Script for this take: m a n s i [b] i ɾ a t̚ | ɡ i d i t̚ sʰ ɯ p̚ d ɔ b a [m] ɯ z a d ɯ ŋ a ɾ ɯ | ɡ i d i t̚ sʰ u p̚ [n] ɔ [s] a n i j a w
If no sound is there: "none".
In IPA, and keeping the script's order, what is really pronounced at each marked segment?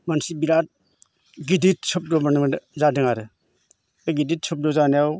b, n, d, z

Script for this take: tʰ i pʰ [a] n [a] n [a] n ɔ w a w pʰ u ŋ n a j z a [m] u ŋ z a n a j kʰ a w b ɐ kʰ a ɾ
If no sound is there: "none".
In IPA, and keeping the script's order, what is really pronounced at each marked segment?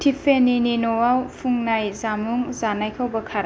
e, i, i, m

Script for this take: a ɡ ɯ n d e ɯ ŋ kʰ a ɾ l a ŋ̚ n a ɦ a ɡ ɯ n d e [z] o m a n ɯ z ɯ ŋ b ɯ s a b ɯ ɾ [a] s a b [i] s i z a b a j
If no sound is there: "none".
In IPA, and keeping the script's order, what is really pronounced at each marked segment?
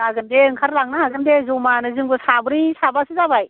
z, i, a

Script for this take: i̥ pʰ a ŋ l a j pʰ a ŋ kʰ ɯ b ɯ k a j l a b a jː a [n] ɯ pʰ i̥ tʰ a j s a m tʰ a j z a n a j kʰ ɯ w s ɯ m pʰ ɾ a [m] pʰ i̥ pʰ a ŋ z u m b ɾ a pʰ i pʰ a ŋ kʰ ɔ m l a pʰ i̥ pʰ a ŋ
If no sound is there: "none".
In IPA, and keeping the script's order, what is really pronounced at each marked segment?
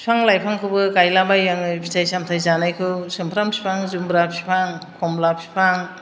ŋ, m

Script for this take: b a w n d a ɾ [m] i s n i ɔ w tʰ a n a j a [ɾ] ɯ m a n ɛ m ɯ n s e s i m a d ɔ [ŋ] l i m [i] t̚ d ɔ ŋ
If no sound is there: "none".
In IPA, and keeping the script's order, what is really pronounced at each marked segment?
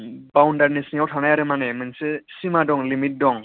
n, ɾ, ŋ, i

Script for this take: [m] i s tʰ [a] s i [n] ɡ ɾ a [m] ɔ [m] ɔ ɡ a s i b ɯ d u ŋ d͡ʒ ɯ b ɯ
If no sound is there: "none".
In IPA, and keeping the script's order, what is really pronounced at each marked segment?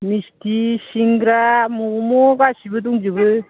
m, i, ŋ, m, m

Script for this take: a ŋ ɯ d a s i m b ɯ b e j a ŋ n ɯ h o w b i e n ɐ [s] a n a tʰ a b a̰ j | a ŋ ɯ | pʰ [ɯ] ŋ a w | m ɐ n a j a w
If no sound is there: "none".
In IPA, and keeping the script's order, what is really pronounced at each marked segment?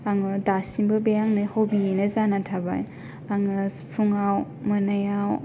z, u

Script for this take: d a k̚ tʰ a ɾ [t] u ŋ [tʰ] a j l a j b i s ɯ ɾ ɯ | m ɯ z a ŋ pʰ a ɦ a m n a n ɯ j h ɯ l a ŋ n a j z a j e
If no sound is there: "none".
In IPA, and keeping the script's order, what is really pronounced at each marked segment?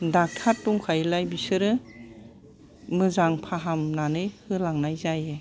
t, kʰ

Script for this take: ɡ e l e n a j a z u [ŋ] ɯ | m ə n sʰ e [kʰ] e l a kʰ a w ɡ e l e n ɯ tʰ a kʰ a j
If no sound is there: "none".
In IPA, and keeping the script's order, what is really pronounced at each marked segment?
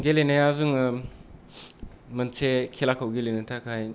ŋ, kʰ

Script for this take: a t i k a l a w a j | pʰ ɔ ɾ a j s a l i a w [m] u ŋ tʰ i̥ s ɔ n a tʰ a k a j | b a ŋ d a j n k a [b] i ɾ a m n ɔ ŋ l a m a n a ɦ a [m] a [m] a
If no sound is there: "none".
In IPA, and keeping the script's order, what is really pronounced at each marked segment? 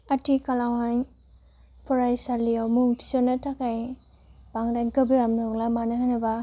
m, b, n, b

